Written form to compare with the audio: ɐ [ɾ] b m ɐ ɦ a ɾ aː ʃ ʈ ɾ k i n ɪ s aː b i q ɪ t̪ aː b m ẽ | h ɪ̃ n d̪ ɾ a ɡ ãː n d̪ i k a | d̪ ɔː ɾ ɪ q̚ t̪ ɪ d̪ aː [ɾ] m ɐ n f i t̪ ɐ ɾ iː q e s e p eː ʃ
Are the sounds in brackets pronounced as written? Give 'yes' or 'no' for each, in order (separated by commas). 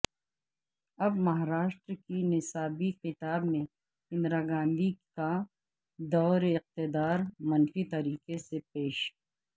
no, yes